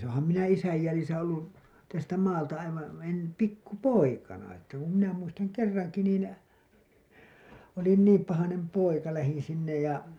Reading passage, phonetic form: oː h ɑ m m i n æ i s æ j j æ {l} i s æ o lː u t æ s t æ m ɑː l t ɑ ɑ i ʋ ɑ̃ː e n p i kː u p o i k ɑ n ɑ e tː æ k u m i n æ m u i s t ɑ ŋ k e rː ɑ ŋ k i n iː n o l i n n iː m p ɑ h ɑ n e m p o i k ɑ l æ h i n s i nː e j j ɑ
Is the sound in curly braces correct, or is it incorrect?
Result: correct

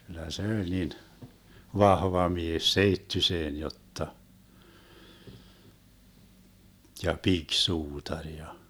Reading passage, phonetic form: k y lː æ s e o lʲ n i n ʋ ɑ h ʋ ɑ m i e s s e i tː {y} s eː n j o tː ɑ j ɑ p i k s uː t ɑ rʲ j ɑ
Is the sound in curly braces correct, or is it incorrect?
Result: correct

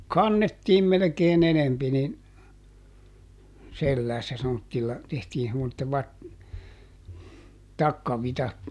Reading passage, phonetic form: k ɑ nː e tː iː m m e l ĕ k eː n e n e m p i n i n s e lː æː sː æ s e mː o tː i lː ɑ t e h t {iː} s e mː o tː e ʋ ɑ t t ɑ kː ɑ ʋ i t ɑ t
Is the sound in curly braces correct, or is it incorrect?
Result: correct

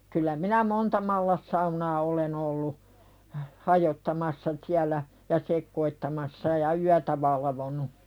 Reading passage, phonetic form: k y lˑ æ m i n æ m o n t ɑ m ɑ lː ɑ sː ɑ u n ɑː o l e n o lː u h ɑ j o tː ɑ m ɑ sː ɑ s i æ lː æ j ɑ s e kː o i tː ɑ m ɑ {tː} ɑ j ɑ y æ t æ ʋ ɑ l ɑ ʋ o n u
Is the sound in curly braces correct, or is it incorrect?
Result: incorrect: sː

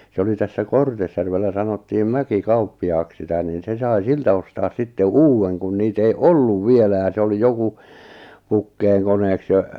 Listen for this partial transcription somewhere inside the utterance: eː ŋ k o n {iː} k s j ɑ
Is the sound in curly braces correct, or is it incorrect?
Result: incorrect: eː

